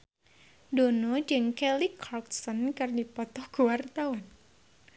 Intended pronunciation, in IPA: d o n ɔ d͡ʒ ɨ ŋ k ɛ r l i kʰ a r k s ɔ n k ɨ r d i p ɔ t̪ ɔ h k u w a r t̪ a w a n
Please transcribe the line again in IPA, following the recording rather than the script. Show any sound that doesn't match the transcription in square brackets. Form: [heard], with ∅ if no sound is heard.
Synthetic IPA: d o n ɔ d͡ʒ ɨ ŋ k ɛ [∅] l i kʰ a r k s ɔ n k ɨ r d i p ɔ t̪ ɔ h k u w a r t̪ a w a n